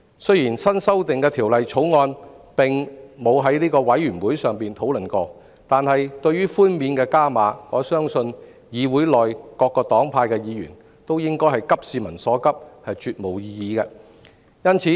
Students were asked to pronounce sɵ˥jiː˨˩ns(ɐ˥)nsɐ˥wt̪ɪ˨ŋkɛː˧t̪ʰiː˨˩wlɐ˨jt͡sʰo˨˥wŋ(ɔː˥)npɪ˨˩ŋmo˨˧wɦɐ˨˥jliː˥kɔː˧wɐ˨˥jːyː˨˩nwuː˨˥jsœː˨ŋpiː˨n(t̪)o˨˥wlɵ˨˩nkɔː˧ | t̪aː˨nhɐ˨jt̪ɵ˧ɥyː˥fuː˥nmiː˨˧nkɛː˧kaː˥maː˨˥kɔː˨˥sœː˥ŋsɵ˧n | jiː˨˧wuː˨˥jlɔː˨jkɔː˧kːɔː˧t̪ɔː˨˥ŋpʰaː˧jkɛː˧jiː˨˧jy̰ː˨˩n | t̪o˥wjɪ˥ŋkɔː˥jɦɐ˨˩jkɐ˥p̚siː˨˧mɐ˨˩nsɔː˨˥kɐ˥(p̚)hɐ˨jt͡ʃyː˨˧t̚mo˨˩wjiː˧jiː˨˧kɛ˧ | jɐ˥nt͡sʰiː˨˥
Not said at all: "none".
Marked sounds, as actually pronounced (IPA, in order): ɐ˥, ɔː˧, t̪ʰ, p̚

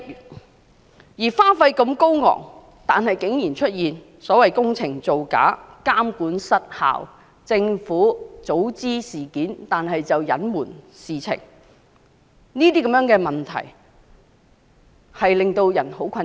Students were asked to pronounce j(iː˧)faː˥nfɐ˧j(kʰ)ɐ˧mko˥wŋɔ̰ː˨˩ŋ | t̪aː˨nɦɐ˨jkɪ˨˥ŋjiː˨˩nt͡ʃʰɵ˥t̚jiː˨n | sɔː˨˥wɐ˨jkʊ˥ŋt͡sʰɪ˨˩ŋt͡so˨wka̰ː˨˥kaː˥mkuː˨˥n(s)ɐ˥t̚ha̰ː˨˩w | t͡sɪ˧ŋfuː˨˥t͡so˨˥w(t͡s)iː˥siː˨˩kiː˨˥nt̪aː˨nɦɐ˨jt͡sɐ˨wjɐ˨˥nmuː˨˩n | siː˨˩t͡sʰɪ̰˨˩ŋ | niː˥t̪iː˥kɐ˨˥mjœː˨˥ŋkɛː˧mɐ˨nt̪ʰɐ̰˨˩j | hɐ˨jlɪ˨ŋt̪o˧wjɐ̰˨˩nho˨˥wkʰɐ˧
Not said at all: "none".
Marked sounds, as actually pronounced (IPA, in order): iː˨˩, k, s, t͡s

